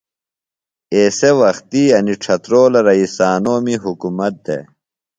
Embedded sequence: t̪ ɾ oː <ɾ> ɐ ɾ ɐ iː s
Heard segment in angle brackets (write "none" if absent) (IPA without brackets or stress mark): l